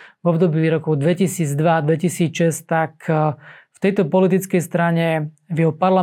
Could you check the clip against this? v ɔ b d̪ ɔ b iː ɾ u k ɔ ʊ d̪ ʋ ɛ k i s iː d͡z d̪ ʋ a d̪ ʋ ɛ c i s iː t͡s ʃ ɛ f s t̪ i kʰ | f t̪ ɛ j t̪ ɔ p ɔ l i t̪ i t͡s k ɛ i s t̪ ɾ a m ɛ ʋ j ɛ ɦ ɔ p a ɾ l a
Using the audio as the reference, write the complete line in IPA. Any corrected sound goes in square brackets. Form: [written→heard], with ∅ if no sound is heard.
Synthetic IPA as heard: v ɔ b d̪ ɔ b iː ɾ [u→ɔ] k ɔ ʊ d̪ ʋ ɛ [k→c] i s iː d͡z d̪ ʋ a d̪ ʋ ɛ c i s iː t͡s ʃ ɛ [f→∅] s t̪ [i→a] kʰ | f t̪ ɛ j t̪ ɔ p ɔ l i t̪ i t͡s k ɛ [i→j] s t̪ ɾ a [m→ɲ] ɛ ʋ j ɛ ɦ ɔ p a ɾ l a